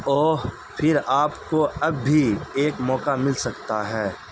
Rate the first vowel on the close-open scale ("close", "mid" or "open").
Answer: mid